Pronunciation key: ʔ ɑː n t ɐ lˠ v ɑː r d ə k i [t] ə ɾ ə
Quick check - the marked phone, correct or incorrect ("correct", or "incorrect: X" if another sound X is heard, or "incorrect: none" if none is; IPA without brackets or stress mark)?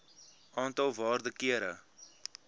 incorrect: none